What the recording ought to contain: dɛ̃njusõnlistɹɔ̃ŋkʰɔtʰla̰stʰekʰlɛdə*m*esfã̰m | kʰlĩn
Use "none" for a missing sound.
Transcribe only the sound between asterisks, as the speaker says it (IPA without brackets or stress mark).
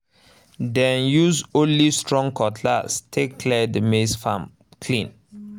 m